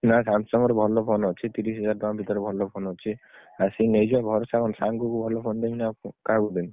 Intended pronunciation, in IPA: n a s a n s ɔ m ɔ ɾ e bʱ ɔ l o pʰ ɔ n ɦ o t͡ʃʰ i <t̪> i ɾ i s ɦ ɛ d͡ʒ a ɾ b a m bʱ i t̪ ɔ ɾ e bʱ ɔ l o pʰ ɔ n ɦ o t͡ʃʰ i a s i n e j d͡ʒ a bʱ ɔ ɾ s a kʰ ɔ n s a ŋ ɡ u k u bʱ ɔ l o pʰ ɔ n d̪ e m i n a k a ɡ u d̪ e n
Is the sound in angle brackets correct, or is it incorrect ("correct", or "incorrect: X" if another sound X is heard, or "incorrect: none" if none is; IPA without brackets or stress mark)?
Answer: correct